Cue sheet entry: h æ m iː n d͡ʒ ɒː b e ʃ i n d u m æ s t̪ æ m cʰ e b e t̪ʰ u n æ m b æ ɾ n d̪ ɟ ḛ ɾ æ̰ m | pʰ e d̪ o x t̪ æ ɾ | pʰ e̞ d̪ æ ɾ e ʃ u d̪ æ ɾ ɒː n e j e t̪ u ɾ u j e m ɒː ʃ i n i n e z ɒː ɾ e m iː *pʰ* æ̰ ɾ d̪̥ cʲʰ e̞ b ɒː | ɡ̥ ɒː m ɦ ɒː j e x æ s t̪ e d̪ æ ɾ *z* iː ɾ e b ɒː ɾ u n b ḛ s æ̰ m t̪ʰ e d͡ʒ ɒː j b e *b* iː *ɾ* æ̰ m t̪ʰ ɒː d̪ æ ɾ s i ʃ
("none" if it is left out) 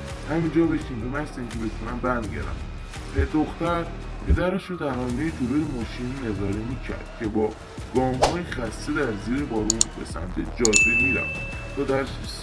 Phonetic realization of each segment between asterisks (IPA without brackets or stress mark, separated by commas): cʰ, z, m, ɾ